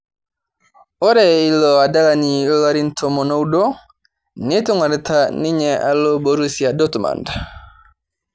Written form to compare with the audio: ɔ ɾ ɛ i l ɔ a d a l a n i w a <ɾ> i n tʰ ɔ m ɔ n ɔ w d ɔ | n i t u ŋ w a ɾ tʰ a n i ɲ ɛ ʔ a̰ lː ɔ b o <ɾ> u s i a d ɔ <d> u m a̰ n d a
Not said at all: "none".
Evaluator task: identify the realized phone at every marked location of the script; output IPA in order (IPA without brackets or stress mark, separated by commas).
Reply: ɾ, ɾ, t